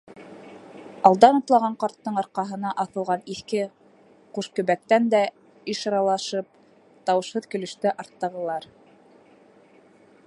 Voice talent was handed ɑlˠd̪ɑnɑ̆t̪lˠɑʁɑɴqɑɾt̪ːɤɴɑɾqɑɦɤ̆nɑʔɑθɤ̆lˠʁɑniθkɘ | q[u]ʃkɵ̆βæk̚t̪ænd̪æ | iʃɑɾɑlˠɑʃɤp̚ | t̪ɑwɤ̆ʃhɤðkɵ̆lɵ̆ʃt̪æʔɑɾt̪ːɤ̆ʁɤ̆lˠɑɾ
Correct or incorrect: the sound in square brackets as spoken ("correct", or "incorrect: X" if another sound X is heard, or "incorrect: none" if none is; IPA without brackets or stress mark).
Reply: correct